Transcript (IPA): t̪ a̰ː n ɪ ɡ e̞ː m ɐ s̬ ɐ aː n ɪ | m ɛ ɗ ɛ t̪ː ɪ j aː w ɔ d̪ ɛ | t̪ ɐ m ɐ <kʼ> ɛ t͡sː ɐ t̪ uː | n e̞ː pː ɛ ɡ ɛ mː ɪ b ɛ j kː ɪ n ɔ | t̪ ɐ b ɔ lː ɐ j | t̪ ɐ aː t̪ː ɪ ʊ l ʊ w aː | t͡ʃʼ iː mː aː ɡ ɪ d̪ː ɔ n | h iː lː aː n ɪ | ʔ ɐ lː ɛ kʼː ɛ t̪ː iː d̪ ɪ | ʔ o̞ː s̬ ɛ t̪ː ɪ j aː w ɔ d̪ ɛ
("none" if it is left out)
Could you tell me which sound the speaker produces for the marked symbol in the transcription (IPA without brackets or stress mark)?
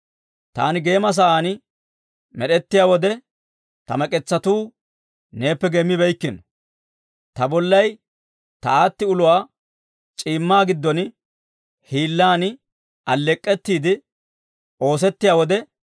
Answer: kʼ